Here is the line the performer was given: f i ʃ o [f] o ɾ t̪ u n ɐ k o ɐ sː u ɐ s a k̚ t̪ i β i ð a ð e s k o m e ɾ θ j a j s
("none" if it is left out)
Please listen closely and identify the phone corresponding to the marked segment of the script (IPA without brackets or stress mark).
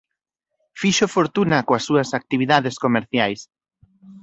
f